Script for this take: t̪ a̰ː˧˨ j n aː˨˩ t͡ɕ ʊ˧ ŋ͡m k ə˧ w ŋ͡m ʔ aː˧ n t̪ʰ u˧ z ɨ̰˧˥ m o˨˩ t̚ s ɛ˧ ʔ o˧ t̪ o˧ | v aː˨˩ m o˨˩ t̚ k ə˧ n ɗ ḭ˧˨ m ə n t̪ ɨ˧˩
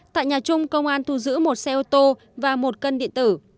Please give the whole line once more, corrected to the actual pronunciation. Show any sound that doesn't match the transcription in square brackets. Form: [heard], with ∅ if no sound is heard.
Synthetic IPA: t̪ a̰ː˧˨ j [ɲ] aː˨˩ t͡ɕ ʊ˧ ŋ͡m k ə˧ w ŋ͡m ʔ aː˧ n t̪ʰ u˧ z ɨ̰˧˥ m o˨˩ t̚ s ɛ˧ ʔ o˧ t̪ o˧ | v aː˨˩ m o˨˩ t̚ k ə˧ n ɗ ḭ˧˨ [∅] ə n t̪ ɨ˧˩